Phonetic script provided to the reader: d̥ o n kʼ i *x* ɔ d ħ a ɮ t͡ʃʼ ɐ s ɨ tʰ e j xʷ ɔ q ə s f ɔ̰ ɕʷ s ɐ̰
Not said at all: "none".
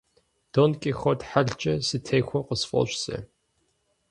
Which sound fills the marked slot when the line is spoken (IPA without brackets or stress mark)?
x